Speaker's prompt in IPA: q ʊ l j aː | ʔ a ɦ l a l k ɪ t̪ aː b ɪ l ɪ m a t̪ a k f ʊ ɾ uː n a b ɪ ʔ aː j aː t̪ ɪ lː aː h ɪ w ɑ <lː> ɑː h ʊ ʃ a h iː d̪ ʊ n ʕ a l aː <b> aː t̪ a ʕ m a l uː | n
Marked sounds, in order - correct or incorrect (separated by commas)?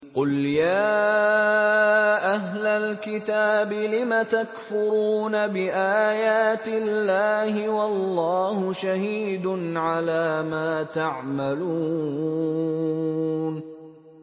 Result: correct, incorrect